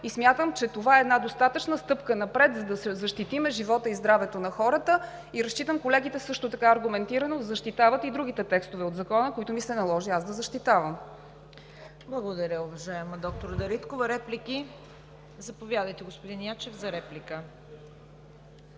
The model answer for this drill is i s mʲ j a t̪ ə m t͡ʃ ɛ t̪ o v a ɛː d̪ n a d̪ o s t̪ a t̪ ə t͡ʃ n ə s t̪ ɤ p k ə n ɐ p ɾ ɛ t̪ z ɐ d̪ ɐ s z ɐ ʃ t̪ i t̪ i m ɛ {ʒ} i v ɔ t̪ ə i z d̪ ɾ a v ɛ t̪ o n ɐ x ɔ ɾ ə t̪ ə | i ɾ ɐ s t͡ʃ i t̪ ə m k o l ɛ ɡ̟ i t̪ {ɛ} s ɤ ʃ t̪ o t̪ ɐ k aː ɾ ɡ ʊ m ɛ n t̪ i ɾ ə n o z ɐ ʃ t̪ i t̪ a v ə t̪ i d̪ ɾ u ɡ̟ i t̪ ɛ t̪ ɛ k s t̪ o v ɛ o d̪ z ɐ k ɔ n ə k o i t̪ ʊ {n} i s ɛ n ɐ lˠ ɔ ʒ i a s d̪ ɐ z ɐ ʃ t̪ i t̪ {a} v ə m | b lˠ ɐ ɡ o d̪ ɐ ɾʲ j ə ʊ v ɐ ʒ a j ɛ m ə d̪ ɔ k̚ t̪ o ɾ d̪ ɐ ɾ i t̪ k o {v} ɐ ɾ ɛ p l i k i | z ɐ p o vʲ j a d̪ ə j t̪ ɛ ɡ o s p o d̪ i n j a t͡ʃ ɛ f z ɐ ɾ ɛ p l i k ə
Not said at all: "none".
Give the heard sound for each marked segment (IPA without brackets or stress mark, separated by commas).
ʒ, ɛ, m, a, v